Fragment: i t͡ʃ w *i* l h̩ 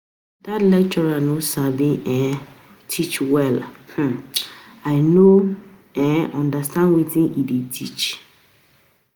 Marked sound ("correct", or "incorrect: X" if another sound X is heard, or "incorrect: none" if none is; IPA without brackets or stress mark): incorrect: ɛ